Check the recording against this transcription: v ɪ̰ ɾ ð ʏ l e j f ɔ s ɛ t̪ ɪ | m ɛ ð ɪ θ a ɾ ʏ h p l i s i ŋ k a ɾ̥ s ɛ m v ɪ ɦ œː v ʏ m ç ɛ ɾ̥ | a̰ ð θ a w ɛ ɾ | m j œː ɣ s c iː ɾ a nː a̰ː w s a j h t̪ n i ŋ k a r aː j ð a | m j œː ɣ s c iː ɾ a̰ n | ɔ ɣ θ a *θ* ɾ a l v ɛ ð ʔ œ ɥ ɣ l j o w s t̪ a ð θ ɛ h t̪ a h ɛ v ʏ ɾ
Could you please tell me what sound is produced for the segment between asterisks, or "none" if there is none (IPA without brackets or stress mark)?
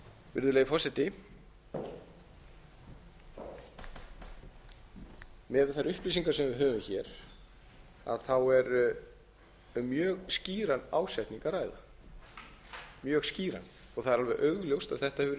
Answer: ð